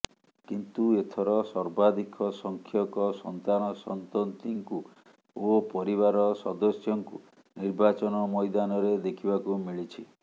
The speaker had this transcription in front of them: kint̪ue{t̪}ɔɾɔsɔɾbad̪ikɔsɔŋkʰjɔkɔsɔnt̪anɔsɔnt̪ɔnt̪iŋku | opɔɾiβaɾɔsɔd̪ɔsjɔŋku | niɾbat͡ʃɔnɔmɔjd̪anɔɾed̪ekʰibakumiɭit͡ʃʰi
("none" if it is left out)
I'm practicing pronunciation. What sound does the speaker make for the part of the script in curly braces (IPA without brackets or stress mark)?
t̪ʰ